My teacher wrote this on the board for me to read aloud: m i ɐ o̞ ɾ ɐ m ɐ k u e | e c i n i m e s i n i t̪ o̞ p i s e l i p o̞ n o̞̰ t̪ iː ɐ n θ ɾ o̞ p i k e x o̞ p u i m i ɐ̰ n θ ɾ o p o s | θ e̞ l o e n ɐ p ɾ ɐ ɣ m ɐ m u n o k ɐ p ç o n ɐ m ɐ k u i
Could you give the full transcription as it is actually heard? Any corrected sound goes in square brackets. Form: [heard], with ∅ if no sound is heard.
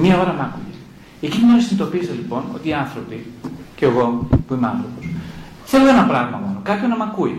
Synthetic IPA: m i ɐ o̞ ɾ ɐ m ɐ k u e | e c i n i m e s i n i t̪ o̞ p i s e l i p o̞ n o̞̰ t̪ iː ɐ n θ ɾ o̞ p i [c] e [ɣ] o̞ p u i m [e] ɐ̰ n θ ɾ o p o s | θ e̞ l o e n ɐ p ɾ ɐ ɣ m ɐ m [o] n o k ɐ p ç o n ɐ m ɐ k u i